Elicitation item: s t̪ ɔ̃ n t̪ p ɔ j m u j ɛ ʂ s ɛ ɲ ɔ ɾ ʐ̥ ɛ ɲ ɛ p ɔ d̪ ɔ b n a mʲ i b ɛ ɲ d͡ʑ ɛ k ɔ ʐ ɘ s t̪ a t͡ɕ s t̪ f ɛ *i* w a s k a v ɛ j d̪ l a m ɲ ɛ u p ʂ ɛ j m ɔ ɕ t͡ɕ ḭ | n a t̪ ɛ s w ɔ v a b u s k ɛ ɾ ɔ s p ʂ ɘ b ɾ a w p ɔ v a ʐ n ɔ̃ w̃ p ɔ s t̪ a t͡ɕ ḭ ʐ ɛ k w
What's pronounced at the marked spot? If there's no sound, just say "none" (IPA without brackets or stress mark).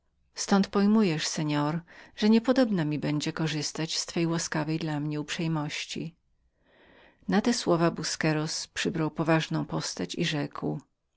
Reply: j